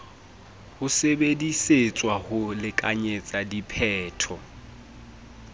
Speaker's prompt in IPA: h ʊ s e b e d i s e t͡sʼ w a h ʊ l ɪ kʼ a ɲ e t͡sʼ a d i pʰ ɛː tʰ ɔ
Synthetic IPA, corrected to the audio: h ʊ s e b e d i s e t͡sʼ w a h ʊ l ɪ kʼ a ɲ e t͡sʼ a d i pʰ ɛː tʰ ɔ